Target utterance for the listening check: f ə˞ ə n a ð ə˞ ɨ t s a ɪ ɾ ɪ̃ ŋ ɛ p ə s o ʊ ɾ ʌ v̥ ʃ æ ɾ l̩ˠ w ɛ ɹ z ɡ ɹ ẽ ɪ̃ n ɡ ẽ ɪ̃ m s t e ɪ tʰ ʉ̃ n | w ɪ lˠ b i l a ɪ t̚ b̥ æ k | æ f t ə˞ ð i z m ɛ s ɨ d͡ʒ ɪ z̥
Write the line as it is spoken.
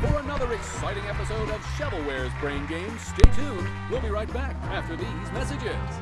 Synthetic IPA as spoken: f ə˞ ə n ʌ ð ə˞ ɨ k s a ɪ ɾ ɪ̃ ŋ ɛ p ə s o ʊ ɾ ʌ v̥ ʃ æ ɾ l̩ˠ w ɛ ɹ z b ɹ ẽ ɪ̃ n ɡ ẽ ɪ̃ m s t e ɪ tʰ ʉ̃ n | w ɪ lˠ b i ɹ a ɪ t̚ b̥ æ k | æ f t ə˞ ð i z m ɛ s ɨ d͡ʒ ɪ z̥

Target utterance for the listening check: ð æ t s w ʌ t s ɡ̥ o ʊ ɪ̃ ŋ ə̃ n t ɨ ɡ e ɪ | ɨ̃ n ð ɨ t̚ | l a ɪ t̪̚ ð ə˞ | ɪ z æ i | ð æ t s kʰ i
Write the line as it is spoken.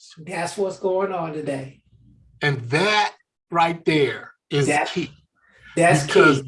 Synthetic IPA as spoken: ð æ t s w ʌ t s ɡ̥ o ʊ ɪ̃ ŋ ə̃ n t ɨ d e ɪ | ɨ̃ n ð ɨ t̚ | ɹ a ɪ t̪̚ ð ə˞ | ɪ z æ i | ð æ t s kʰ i

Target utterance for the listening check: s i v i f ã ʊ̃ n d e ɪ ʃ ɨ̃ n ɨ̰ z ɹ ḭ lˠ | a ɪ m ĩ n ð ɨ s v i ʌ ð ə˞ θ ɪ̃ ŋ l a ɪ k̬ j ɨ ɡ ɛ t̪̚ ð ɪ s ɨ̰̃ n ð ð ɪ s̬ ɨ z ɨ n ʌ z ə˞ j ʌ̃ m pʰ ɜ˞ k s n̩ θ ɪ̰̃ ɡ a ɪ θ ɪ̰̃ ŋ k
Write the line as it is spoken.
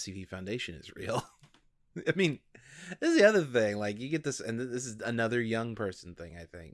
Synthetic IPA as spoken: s i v i f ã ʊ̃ n d e ɪ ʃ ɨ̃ n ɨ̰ z ɹ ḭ lˠ | a ɪ m ĩ n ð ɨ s ð i ʌ ð ə˞ θ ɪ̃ ŋ l a ɪ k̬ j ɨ ɡ ɛ t̪̚ ð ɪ s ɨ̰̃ n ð ð ɪ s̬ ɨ z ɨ n ʌ ð ə˞ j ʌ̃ ŋ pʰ ɜ˞ s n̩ θ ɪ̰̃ ŋ a ɪ θ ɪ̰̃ ŋ k

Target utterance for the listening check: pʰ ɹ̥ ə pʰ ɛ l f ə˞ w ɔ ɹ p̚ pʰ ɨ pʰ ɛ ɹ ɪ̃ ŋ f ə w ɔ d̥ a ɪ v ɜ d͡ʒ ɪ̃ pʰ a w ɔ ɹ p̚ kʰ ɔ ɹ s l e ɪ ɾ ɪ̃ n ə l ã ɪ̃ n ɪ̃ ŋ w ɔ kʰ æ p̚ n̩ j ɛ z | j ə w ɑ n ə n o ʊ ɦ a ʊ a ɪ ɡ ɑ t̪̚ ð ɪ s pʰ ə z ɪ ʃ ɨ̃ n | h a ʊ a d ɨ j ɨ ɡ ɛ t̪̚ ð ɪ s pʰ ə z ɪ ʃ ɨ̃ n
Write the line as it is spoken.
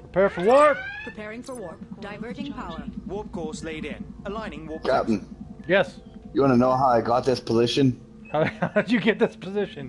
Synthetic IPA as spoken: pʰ ɹ̥ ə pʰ ɛ ɹ f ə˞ w ɔ ɹ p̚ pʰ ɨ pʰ ɛ ɹ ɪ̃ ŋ f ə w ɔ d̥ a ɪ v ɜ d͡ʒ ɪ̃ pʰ a w ɔ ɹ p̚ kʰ ɔ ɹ s l e ɪ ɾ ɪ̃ n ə l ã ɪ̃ n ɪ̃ ŋ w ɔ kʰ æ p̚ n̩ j ɛ s | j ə w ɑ n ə n o ʊ ɦ a ʊ a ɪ ɡ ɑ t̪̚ ð ɪ s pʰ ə z ɪ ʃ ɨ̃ n | h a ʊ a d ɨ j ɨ ɡ ɛ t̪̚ ð ɪ s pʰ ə z ɪ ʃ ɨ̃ n

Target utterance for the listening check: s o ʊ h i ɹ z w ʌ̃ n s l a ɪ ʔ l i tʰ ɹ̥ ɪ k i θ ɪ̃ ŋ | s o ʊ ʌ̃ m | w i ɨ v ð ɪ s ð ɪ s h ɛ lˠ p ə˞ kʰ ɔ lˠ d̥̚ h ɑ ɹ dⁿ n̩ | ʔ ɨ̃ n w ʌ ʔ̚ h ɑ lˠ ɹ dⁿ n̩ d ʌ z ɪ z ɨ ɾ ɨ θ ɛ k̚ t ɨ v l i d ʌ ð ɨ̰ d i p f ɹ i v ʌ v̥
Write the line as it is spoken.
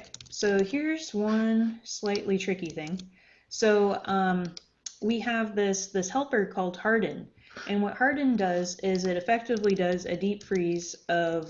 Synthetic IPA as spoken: s o ʊ h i ɹ z w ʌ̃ n s l a ɪ ʔ l i tʰ ɹ̥ ɪ k i θ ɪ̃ ŋ | s o ʊ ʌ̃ m | w i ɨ v ð ɪ s ð ɪ s h ɛ lˠ p ə˞ kʰ ɔ lˠ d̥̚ h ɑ ɹ dⁿ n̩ | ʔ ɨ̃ n w ʌ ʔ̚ h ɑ ɹ dⁿ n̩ d ʌ z ɪ z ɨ ɾ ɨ f ɛ k̚ t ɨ v l i d ʌ z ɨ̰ d i p f ɹ i z ʌ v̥

